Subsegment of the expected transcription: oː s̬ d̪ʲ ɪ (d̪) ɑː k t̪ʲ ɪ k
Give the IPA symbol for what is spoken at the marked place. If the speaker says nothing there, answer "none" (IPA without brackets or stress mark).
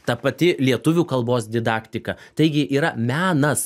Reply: d̪